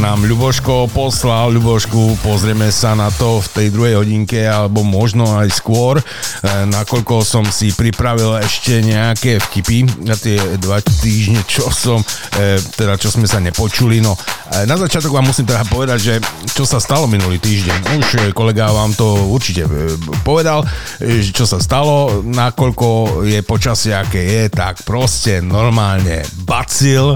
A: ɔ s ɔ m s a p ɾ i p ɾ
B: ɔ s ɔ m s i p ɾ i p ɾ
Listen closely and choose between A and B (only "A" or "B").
B